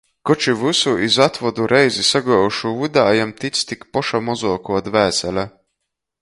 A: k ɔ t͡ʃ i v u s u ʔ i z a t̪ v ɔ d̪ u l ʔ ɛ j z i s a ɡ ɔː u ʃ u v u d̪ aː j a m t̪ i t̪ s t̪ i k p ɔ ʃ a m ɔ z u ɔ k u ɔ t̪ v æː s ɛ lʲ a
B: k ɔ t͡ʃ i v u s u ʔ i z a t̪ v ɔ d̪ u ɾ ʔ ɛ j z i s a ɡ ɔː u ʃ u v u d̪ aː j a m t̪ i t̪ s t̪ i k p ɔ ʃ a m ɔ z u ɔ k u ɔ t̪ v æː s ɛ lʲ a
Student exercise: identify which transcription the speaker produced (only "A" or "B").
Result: B